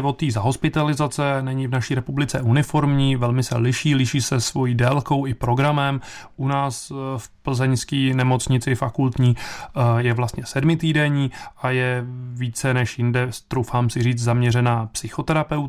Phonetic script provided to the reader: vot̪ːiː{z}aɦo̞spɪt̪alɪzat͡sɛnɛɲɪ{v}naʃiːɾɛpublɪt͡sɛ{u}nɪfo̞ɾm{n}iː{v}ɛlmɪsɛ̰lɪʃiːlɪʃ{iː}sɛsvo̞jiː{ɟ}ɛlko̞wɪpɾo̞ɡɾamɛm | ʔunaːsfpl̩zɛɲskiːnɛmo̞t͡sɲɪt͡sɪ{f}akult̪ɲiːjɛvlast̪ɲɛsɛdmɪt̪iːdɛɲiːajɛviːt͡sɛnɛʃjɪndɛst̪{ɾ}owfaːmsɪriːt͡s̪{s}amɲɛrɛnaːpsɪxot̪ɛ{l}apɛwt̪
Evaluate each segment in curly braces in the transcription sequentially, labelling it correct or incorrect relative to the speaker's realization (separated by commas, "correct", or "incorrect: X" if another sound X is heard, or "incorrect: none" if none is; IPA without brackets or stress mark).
correct, correct, correct, incorrect: ɲ, correct, correct, incorrect: d, correct, correct, incorrect: z, incorrect: ɾ